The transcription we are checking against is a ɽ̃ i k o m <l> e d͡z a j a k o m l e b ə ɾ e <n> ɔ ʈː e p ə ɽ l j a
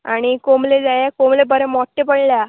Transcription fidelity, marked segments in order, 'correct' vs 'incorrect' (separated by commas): correct, incorrect